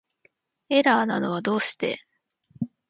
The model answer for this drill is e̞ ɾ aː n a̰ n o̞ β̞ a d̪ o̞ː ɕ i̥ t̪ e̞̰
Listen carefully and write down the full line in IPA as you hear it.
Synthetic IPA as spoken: e̞ ɾ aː n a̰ n o̞ β̞ a d̪ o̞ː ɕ i̥ t̪ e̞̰